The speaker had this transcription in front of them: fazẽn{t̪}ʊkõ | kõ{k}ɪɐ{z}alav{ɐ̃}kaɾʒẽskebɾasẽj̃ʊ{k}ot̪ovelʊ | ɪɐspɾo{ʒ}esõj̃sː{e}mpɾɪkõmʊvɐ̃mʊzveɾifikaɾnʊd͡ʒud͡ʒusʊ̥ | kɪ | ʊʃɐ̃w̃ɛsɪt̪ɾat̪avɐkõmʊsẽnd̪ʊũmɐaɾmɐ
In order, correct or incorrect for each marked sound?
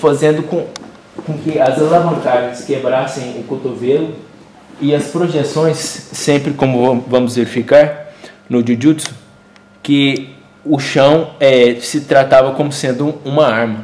incorrect: d̪, correct, correct, correct, correct, correct, incorrect: ẽ

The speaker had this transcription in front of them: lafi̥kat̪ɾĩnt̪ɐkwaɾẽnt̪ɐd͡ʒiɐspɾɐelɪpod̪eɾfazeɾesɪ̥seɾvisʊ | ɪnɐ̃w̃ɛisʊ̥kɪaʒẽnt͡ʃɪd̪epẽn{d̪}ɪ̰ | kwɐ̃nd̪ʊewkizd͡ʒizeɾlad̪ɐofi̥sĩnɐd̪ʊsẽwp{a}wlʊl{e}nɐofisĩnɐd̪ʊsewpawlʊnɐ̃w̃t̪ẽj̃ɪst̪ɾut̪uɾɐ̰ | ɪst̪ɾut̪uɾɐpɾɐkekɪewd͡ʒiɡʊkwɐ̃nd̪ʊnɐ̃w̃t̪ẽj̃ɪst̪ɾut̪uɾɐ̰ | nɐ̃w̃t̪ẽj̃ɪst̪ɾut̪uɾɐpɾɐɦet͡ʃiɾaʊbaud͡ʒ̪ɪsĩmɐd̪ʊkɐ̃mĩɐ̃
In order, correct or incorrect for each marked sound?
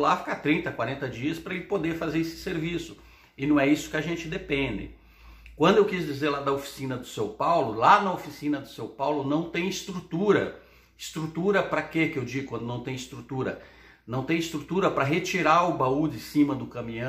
correct, correct, incorrect: a

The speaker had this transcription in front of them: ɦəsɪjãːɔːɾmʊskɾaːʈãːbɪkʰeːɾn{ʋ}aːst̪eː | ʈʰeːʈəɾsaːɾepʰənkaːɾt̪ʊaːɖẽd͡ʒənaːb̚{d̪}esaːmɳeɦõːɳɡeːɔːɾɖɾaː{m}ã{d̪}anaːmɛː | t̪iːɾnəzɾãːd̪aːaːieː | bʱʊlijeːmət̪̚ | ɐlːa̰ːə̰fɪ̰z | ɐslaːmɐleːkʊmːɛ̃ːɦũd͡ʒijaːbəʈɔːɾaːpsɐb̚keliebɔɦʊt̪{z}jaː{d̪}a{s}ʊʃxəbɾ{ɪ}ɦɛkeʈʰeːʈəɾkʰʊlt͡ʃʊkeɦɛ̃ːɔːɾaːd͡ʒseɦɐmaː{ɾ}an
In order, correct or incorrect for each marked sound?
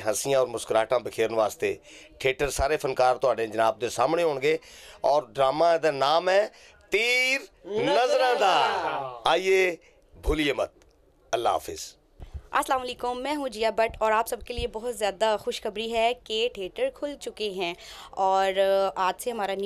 correct, correct, correct, correct, correct, correct, incorrect: x, incorrect: i, correct

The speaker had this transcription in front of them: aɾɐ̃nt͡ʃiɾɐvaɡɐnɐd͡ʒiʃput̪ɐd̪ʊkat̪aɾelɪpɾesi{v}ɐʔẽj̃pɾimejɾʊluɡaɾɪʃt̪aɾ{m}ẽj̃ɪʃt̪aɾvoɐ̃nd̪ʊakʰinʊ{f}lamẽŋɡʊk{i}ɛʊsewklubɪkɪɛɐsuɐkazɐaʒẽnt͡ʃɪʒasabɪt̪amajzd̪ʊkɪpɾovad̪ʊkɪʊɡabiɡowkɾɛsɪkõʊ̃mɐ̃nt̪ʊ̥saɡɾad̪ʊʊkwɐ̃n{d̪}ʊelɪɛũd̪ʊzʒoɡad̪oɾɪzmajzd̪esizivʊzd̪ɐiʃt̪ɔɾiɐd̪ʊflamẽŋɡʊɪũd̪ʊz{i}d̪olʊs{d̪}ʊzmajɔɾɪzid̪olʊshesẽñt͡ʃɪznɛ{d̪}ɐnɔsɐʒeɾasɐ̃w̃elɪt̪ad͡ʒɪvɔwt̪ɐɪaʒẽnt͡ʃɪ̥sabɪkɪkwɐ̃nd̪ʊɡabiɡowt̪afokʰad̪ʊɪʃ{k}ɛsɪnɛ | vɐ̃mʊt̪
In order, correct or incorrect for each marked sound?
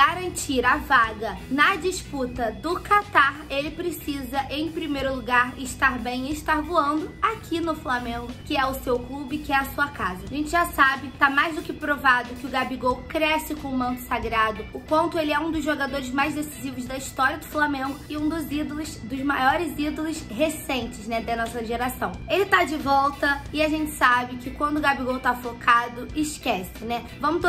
incorrect: z, incorrect: b, correct, incorrect: ɪ, incorrect: t̪, correct, correct, correct, correct

